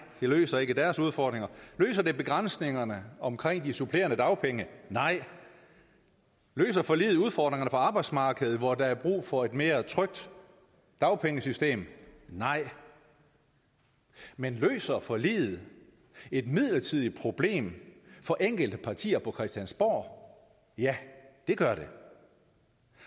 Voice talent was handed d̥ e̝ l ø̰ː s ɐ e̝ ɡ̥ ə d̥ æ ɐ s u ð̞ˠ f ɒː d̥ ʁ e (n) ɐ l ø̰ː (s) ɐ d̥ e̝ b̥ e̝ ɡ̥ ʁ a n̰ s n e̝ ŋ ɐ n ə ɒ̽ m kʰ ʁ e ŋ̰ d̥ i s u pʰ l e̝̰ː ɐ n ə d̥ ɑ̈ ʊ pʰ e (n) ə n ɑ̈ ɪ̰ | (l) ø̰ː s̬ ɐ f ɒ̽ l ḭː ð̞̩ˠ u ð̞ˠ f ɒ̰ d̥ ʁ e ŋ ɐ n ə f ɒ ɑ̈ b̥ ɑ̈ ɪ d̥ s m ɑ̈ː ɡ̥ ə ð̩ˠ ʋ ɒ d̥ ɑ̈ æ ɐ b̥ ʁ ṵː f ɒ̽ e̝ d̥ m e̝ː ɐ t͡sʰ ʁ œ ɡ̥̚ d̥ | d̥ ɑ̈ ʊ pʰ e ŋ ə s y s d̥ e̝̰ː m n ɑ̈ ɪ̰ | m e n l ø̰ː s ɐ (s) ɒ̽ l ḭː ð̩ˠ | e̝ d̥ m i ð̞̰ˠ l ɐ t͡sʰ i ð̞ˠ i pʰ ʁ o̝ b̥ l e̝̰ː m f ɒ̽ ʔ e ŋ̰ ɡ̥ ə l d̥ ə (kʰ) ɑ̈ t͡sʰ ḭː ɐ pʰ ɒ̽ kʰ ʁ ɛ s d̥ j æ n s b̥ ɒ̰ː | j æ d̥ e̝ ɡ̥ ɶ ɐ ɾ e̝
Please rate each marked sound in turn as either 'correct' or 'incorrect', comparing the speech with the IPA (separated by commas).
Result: incorrect, correct, incorrect, correct, incorrect, incorrect